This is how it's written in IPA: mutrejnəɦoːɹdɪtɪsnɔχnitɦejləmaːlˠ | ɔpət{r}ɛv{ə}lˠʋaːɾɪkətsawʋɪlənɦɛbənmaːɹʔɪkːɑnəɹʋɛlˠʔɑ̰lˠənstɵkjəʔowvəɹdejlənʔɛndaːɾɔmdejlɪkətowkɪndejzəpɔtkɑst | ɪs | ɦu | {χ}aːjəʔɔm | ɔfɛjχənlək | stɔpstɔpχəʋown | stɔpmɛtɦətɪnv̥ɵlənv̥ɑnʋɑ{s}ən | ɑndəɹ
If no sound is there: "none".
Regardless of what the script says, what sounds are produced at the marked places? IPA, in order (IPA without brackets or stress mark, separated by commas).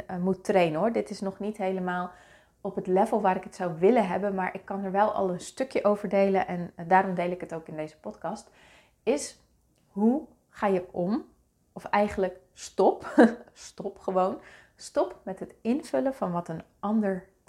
l, ə, χ, t